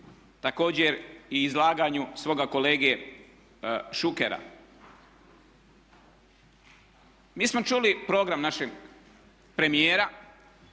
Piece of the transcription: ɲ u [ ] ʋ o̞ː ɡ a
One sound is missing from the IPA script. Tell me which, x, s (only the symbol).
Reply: s